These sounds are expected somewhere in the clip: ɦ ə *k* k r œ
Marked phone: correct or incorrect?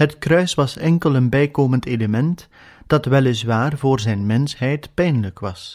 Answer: incorrect